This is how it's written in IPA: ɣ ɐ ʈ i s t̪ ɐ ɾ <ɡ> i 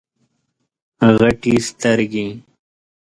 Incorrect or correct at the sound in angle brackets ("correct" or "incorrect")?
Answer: correct